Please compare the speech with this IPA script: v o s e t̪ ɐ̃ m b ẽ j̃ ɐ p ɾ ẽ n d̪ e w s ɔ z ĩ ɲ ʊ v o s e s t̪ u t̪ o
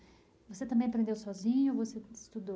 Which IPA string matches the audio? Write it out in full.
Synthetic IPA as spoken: v o s e t̪ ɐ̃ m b ẽ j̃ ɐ p ɾ ẽ n d̪ e w s ɔ z ĩ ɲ ʊ v o s e s t̪ u d̪ o